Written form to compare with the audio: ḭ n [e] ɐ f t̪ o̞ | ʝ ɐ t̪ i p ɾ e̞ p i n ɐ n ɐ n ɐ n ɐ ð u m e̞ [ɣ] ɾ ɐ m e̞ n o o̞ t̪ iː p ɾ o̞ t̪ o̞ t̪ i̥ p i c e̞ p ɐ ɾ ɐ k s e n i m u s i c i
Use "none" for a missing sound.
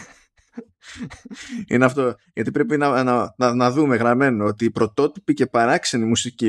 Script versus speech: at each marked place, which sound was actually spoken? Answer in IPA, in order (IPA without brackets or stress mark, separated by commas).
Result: e, ɣ